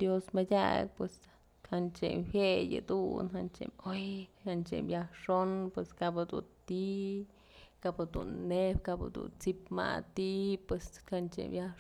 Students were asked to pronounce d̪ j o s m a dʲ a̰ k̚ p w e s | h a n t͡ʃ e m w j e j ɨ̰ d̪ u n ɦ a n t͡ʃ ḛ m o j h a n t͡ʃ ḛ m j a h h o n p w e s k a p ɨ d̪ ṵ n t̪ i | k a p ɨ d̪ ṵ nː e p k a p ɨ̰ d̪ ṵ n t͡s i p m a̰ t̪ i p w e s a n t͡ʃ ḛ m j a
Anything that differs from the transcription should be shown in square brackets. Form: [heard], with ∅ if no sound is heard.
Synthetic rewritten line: d̪ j o s m a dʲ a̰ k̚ p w e s | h a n t͡ʃ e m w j e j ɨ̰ d̪ u n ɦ a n t͡ʃ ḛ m o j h a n t͡ʃ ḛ m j a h [ʂ] o n p w e s k a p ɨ d̪ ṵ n t̪ i | k a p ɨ d̪ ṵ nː e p k a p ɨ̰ d̪ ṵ n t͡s i p m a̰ t̪ i p w e s a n t͡ʃ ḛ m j a